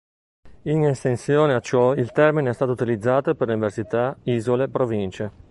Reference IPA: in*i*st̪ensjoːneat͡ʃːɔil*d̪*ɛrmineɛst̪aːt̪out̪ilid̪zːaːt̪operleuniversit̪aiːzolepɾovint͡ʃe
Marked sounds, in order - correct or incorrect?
incorrect: e, incorrect: t̪

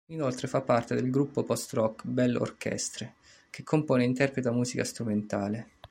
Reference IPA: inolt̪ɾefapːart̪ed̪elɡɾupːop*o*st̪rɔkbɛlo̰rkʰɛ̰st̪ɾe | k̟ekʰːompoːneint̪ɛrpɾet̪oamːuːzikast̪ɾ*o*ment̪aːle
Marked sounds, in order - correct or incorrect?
incorrect: ɔ, incorrect: u

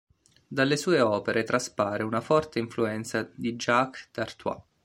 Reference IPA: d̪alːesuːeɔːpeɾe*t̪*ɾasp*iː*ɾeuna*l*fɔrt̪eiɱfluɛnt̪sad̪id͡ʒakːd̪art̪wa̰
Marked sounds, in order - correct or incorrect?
correct, incorrect: aː, incorrect: none

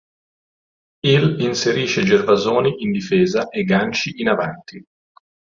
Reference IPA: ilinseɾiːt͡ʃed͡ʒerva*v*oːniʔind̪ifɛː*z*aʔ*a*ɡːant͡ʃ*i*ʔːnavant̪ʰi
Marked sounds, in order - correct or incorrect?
incorrect: z, correct, incorrect: e, correct

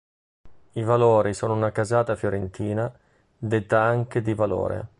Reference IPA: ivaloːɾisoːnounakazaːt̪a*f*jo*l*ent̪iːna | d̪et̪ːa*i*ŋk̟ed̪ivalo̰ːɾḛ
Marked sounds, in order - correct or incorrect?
correct, incorrect: ɾ, incorrect: a

